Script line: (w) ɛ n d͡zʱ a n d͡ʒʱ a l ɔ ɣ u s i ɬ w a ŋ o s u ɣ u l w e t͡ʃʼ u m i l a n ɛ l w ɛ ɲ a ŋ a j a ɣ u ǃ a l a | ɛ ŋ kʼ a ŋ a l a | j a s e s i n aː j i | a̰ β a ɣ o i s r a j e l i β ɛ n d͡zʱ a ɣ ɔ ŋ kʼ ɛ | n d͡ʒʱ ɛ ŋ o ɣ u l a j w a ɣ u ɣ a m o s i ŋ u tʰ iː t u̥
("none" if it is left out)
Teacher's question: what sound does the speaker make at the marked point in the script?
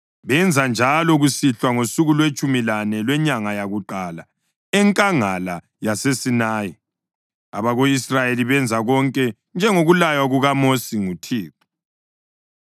β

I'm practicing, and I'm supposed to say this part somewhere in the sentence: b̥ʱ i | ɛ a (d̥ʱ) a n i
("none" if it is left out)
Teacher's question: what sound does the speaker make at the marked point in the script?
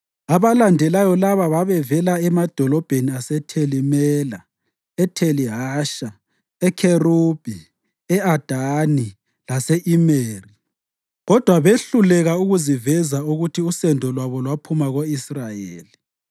d̥ʱ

